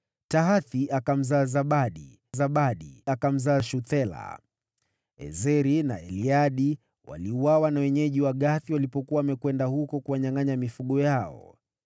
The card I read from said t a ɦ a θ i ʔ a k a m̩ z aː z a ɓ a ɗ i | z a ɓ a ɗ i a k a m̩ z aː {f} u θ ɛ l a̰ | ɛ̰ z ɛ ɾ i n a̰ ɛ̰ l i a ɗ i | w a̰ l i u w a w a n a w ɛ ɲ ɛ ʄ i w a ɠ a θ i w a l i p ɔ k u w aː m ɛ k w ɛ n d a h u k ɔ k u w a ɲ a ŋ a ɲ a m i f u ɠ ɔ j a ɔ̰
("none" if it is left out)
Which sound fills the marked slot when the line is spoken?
ʃ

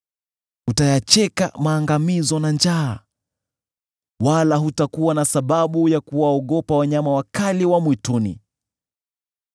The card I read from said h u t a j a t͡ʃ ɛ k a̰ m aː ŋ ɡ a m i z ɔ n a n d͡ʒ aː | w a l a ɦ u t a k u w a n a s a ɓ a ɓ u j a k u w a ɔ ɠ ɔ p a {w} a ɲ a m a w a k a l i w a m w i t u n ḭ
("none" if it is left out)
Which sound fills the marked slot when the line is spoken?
w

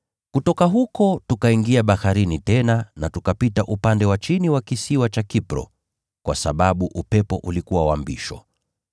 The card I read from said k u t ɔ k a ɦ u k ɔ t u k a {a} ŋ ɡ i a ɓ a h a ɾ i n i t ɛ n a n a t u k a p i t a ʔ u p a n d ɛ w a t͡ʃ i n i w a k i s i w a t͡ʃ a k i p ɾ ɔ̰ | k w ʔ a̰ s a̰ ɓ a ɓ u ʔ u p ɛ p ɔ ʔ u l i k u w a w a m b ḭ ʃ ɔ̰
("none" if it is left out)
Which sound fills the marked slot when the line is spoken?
i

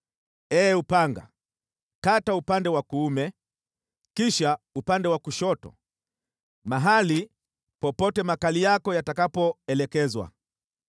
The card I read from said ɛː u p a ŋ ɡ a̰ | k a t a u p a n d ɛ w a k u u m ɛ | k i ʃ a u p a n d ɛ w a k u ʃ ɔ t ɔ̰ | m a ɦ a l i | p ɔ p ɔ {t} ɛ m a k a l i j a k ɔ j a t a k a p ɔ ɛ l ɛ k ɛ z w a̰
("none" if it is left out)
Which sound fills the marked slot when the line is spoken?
t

